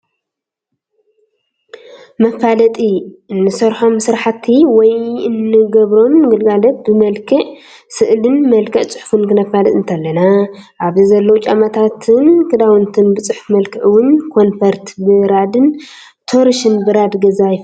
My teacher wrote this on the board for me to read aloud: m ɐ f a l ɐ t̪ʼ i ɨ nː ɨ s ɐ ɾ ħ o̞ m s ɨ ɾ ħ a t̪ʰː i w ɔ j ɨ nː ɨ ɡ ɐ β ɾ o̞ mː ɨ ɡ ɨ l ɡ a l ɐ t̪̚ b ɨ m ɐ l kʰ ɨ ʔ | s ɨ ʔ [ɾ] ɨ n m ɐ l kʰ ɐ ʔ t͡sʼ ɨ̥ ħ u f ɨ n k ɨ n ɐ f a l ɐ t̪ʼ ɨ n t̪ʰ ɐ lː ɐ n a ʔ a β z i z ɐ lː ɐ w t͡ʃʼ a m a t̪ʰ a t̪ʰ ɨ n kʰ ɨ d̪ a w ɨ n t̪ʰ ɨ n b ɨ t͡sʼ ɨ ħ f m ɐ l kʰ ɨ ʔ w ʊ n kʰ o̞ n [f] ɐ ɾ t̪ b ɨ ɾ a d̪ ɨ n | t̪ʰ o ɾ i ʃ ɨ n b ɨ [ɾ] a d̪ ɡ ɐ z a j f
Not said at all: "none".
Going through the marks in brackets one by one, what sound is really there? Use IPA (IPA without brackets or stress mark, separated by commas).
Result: l, f, ɾ